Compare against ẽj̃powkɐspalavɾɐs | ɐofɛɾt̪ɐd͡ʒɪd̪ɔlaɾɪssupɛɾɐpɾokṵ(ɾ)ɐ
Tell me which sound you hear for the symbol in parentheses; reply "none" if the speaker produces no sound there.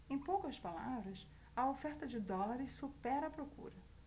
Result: ɾ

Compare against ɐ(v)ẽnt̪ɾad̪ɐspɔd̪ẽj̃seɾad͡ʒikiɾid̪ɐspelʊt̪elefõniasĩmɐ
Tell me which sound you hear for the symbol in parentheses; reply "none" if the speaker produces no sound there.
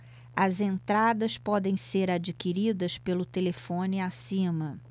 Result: z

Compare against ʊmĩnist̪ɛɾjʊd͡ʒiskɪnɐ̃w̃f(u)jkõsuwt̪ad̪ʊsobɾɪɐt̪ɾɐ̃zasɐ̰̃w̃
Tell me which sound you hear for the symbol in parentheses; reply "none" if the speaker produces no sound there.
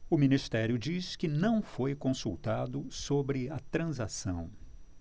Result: o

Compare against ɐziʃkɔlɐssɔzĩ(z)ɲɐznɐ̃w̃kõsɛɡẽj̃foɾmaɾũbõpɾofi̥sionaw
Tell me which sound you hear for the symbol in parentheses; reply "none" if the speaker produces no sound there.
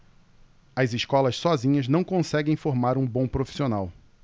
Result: none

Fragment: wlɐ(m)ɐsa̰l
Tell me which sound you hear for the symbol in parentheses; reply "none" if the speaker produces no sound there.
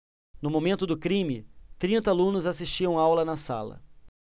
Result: n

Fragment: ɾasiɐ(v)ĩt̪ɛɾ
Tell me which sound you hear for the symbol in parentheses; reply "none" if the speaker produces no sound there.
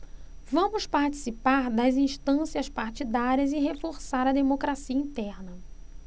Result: none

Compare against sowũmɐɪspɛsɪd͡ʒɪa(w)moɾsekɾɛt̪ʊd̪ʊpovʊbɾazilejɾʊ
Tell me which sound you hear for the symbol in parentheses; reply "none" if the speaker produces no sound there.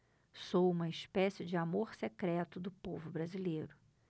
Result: none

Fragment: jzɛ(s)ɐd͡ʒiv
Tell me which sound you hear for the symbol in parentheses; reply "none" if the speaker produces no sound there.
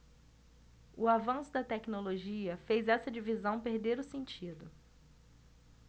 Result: s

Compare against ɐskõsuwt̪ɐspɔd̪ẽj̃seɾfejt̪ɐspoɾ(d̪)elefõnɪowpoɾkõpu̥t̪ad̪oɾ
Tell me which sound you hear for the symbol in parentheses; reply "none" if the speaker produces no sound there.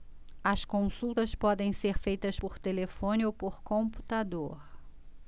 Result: t̪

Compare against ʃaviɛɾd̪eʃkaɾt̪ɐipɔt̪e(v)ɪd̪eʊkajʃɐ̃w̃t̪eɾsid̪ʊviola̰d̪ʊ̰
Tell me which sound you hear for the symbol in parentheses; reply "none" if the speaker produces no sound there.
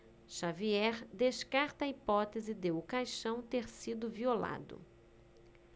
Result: z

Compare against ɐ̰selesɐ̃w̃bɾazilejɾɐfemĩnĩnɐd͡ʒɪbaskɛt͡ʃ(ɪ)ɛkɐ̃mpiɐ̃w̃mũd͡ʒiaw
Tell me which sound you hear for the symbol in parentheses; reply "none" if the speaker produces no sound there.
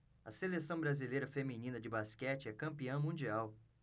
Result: ɪ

